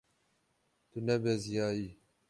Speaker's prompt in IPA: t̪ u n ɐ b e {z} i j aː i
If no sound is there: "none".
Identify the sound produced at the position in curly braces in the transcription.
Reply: z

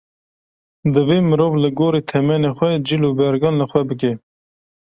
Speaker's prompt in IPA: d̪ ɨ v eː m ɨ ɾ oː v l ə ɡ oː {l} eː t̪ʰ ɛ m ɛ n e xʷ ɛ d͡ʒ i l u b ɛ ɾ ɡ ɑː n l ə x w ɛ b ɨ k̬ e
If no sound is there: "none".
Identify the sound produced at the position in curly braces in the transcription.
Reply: ɾ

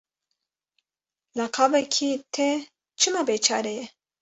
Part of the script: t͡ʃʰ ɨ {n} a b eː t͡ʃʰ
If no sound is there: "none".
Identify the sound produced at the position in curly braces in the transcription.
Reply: m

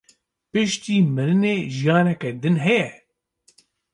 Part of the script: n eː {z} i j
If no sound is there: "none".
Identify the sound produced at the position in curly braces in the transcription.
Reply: ʒ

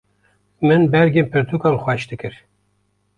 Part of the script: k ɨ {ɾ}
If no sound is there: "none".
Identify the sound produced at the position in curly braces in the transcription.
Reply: ɾ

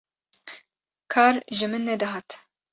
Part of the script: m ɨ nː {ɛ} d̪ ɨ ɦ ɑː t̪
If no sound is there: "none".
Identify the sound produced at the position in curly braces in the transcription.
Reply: ɛ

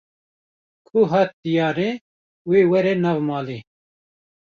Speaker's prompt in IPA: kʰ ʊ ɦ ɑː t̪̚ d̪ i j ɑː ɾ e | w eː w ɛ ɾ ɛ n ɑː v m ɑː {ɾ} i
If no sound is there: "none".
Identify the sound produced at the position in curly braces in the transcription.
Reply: l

